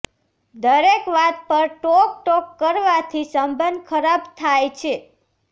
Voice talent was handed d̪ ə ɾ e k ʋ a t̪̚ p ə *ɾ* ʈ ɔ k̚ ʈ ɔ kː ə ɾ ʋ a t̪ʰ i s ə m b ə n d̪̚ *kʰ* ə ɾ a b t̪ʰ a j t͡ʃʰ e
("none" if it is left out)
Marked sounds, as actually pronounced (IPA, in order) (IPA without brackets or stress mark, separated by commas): ɾ, kʰ